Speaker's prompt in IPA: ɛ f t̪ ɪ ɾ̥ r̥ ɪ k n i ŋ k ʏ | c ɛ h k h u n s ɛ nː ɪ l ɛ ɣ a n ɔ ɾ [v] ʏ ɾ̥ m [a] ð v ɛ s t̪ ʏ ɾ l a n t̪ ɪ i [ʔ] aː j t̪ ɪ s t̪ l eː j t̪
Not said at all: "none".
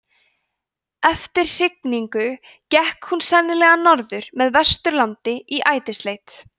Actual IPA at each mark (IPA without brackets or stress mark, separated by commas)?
ð, ɛ, ʔ